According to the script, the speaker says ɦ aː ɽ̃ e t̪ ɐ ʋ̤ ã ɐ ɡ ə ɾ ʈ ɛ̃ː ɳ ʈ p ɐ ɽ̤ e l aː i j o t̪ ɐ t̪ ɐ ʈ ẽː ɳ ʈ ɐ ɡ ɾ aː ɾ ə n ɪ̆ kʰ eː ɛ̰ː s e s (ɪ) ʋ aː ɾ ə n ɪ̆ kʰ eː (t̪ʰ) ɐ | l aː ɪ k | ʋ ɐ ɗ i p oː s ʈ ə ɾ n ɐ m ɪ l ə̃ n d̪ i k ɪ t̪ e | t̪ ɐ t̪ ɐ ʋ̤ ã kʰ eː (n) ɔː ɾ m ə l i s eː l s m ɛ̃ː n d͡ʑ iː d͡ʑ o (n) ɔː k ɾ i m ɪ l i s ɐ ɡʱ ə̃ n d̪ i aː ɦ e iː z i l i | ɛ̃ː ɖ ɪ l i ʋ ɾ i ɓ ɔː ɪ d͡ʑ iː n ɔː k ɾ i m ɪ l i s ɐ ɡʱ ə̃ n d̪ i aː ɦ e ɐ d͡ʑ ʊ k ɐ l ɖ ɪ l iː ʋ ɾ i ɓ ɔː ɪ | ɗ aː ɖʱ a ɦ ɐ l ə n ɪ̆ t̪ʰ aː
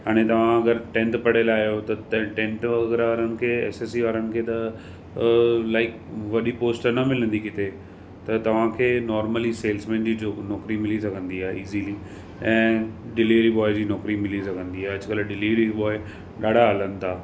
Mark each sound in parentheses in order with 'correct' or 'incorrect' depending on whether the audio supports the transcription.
incorrect: i, incorrect: t̪, correct, correct

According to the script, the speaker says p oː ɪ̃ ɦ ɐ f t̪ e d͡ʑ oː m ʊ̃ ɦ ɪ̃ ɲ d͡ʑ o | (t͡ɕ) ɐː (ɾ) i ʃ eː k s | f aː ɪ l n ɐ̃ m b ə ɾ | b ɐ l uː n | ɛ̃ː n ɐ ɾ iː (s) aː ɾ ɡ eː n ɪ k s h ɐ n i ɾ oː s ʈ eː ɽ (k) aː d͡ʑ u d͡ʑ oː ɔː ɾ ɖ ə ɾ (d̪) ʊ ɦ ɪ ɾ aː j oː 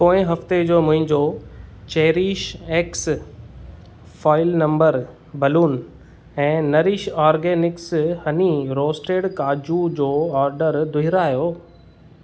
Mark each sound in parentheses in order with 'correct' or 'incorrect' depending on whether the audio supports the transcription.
correct, correct, incorrect: ʃ, correct, correct

